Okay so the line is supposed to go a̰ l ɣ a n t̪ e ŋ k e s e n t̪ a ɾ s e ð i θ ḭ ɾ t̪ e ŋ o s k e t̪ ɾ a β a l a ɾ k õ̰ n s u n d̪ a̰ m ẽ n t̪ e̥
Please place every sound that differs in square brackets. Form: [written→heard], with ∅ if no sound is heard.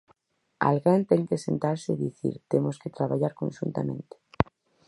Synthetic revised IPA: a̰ l ɣ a n t̪ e ŋ k e s e n t̪ a ɾ s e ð i θ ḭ ɾ t̪ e [ŋ→m] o s k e t̪ ɾ a β a [l→ʎ] a ɾ k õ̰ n [s→ʃ] u n [d̪→t̪] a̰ m ẽ n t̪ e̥